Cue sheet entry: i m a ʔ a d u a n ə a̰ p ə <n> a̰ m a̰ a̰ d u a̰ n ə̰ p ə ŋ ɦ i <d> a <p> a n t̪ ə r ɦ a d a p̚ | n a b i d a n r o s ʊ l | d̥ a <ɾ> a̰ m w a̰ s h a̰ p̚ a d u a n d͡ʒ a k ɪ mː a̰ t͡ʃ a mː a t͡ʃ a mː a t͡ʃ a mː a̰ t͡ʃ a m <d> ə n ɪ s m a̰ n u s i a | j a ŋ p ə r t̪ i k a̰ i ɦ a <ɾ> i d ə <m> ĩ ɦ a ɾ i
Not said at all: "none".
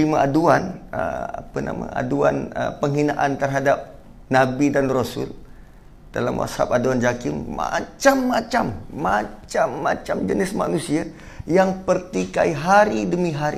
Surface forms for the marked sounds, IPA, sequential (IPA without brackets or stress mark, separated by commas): n, n, ʔ, l, d͡ʒ, ɾ, m